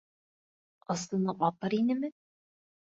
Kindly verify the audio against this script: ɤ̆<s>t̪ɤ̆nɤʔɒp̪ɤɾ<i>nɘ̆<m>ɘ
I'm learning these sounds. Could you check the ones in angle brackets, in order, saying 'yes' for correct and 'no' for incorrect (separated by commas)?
yes, yes, yes